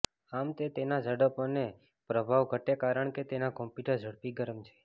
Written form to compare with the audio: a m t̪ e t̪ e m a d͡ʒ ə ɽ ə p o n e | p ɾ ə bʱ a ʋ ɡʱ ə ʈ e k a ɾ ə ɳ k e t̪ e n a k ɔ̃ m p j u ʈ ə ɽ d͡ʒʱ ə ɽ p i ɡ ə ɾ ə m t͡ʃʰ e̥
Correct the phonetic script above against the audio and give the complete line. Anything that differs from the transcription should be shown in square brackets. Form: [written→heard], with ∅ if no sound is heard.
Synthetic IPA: a m t̪ e t̪ e [m→n] a d͡ʒ ə ɽ ə p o n e | p ɾ ə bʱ a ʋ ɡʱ ə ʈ e k a ɾ ə ɳ k e t̪ e n a k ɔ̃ m p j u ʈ ə [ɽ→ɾ] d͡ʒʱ ə ɽ p i ɡ ə ɾ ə m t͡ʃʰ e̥